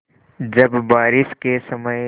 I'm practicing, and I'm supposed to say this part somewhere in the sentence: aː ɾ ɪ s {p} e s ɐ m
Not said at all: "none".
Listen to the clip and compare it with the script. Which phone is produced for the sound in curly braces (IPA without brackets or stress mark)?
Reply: k